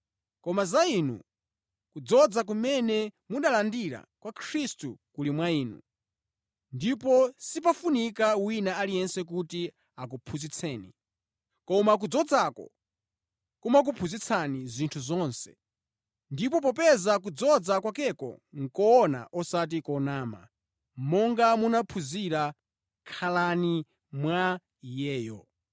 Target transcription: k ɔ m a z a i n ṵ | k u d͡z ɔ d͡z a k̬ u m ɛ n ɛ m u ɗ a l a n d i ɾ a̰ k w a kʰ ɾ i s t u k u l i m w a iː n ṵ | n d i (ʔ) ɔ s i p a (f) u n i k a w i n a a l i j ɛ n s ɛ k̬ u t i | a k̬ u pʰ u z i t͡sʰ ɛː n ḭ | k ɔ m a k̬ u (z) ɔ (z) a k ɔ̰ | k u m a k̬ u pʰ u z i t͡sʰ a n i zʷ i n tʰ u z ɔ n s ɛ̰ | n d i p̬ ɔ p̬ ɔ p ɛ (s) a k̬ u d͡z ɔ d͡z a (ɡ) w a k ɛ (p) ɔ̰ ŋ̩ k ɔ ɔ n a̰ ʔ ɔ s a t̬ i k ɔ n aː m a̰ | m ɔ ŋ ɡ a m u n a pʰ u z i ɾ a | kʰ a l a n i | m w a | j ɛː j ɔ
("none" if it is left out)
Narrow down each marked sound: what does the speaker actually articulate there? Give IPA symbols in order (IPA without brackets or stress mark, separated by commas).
p, f, d͡z, d͡z, z, k, k